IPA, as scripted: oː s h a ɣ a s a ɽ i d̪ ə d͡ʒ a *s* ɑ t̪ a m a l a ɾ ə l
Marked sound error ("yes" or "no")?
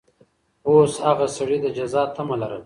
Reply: yes